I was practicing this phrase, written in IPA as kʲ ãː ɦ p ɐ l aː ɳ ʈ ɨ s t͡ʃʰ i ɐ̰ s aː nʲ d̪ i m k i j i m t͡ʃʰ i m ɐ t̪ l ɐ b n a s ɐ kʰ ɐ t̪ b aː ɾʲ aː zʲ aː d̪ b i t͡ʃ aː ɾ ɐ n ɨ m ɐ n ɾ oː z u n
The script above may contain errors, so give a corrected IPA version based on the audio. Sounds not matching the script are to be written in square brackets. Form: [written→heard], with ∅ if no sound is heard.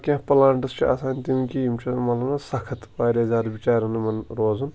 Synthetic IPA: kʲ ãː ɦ p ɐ l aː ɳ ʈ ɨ s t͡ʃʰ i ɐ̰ s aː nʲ [d̪→t̪] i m k i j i m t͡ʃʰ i m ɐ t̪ l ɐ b n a s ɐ kʰ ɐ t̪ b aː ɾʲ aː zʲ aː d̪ b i t͡ʃ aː ɾ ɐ n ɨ m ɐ n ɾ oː z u n

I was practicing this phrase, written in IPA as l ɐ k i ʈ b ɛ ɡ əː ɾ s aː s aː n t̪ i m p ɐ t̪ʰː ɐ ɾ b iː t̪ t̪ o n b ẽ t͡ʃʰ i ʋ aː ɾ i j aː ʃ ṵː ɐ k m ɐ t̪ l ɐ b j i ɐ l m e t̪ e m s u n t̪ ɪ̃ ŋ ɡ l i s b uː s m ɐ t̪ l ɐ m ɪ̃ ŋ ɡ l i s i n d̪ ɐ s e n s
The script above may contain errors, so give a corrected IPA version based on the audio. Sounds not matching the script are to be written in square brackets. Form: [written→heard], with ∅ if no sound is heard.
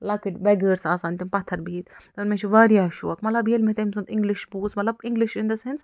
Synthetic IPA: l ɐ k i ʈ b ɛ ɡ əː ɾ s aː s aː n t̪ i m p ɐ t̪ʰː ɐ ɾ b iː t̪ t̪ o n [b→m] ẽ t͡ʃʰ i ʋ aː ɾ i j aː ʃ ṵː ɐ k m ɐ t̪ l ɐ b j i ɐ l m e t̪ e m s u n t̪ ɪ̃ ŋ ɡ l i [s→ʃ] b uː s m ɐ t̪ l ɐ [m→b] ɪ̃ ŋ ɡ l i [s→ʃ] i n d̪ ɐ s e n s

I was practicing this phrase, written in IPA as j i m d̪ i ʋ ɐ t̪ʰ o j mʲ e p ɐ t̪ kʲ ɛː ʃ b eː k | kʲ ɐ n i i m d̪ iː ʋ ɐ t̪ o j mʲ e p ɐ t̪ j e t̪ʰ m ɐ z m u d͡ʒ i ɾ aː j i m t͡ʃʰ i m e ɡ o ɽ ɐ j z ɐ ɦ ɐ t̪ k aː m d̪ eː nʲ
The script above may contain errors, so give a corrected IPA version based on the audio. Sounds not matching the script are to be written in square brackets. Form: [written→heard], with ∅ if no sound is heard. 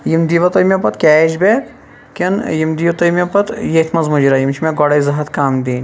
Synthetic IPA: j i m d̪ i ʋ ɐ [t̪ʰ→t̪] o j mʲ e p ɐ t̪ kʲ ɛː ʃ b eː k | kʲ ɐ n [i→j] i m d̪ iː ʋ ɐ t̪ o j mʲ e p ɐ t̪ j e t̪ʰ m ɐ z m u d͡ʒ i ɾ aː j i m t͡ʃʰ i m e ɡ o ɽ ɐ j z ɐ ɦ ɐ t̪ k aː m d̪ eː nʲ

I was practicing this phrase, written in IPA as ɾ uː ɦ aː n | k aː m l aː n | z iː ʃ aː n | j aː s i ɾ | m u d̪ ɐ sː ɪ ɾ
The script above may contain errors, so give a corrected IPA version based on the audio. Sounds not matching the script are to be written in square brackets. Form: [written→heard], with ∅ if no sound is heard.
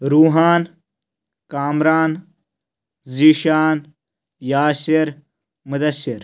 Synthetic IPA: ɾ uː ɦ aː n | k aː m [l→ɾ] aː n | z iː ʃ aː n | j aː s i ɾ | m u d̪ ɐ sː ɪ ɾ

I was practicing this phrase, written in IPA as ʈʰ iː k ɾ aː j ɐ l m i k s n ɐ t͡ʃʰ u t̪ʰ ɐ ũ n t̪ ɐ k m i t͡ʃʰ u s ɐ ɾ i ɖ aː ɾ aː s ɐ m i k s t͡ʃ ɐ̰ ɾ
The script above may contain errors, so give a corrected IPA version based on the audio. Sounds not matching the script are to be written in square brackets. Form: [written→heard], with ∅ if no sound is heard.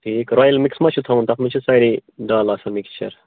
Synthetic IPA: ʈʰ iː k ɾ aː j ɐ l m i k s [n→m] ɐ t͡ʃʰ u t̪ʰ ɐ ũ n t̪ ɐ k m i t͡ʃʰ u s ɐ ɾ i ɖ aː [ɾ→l] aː s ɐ m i k s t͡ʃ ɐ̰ ɾ

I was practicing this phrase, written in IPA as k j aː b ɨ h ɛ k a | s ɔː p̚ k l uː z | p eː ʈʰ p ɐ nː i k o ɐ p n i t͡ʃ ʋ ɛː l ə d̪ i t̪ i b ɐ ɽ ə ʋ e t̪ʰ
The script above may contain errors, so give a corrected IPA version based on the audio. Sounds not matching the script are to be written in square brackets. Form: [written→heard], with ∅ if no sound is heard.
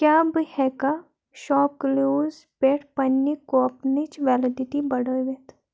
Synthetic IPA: k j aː b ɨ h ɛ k a | [s→ʃ] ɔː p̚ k l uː z | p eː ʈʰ p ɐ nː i k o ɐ p n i t͡ʃ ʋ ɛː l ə d̪ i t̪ i b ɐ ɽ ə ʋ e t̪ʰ

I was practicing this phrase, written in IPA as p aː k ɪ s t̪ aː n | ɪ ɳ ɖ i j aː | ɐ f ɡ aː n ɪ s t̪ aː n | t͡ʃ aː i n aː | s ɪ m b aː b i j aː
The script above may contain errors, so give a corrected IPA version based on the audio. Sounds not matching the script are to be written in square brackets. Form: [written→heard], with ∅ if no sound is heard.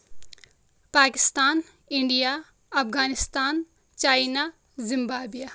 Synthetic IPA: p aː k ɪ s t̪ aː n | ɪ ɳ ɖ i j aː | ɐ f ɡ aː n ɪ s t̪ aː n | t͡ʃ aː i n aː | [s→z] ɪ m b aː b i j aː

